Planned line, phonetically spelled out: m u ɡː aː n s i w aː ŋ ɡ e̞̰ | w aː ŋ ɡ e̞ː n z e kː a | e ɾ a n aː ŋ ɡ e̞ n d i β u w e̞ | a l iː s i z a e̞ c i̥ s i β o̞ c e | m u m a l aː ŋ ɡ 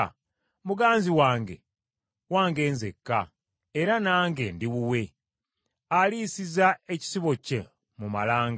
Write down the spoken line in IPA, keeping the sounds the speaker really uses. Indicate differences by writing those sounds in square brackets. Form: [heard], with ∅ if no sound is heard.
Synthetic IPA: m u [ɡ] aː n [z] i w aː ŋ ɡ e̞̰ | w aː ŋ ɡ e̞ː n z e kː a | e ɾ a n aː ŋ ɡ e̞ n d i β u w e̞ | a l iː s i z a e̞ c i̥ s i β o̞ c e | m u m a l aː ŋ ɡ